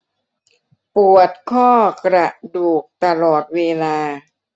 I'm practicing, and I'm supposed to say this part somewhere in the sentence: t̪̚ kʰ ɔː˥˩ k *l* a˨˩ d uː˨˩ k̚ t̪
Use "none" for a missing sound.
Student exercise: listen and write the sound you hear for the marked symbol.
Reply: ɾ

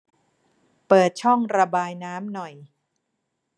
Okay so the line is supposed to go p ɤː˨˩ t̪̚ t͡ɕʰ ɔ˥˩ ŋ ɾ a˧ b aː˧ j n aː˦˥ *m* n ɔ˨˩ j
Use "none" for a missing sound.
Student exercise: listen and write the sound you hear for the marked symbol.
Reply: m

